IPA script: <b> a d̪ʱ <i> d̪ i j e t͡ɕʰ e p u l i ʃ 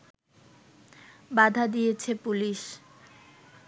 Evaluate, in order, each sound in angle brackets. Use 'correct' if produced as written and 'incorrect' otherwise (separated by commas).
correct, incorrect